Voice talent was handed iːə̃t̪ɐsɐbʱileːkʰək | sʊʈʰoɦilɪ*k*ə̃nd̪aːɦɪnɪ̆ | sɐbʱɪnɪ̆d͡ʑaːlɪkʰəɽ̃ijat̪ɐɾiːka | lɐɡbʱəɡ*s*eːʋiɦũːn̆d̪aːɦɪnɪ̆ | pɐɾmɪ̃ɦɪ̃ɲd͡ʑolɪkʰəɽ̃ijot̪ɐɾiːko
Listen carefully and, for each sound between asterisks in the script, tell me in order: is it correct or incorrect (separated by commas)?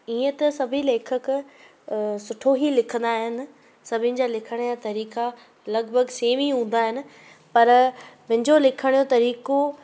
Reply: incorrect, correct